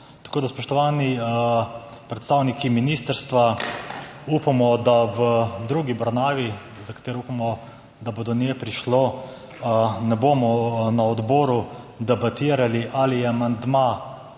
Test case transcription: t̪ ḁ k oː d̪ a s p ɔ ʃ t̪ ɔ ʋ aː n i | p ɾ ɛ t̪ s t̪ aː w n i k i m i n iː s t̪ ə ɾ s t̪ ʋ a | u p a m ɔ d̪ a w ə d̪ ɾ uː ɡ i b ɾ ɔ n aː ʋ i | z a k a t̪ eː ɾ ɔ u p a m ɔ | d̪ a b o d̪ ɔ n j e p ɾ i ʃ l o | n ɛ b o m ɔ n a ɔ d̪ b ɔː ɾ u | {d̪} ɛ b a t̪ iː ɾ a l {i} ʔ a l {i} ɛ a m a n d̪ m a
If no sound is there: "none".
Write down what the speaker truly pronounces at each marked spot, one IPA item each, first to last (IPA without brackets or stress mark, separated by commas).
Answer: d̪, i, i